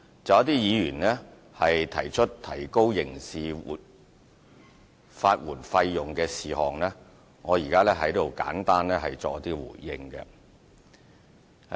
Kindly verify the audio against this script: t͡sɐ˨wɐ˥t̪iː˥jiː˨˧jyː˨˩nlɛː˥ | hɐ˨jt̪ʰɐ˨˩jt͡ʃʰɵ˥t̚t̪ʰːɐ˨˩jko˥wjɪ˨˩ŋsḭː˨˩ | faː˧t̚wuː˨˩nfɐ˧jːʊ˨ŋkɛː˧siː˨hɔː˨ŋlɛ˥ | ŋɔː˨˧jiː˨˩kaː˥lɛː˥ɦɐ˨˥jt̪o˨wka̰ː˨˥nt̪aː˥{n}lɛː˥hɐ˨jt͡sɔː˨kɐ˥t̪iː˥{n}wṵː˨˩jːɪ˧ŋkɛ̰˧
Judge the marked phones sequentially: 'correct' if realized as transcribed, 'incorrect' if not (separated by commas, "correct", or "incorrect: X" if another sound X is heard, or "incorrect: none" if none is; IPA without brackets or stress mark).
correct, incorrect: none